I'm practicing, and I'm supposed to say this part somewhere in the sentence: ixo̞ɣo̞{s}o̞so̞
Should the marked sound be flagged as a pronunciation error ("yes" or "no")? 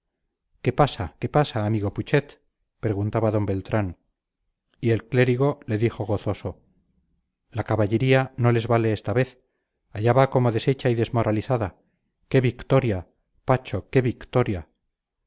yes